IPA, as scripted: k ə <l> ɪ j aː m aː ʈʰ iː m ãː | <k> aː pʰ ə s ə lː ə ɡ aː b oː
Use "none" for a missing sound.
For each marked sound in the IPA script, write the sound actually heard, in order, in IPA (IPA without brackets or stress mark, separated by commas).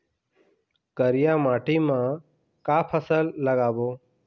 ɾ, k